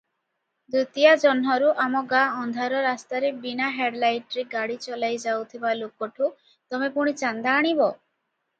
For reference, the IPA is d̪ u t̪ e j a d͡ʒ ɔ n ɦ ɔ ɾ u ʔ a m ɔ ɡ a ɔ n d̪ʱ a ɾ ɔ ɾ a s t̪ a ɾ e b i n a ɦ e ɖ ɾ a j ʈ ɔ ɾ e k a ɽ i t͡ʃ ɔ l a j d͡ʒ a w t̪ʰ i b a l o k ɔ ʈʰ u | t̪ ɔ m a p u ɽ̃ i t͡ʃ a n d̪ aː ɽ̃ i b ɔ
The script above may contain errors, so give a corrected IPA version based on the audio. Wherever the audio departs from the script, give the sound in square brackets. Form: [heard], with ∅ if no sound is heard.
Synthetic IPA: d̪ u t̪ [i] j a d͡ʒ ɔ n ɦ ɔ ɾ u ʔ a m ɔ ɡ a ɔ n d̪ʱ a ɾ ɔ ɾ a s t̪ a ɾ e b i n a ɦ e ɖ [l] a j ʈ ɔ ɾ e [ɡ] a ɽ i t͡ʃ ɔ l a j d͡ʒ a w t̪ʰ i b a l o k ɔ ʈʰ u | t̪ ɔ m [e] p u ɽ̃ i t͡ʃ a n d̪ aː ɽ̃ i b ɔ